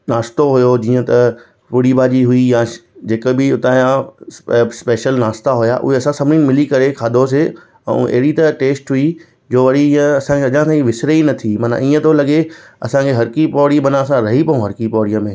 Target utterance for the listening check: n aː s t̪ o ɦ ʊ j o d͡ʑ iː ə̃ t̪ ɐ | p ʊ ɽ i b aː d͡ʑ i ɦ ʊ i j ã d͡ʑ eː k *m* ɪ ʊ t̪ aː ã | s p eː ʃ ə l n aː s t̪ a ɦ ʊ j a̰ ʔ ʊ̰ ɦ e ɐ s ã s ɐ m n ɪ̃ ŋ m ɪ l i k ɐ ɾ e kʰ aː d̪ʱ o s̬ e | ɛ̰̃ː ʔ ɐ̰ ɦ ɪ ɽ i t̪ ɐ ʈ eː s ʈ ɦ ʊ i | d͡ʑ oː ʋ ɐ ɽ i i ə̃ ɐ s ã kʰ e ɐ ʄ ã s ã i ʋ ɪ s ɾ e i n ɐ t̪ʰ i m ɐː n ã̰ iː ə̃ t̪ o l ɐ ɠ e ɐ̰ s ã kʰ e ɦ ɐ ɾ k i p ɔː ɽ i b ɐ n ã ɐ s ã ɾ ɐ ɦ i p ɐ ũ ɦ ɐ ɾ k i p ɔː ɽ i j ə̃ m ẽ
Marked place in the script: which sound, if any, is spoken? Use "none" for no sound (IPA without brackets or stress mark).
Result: b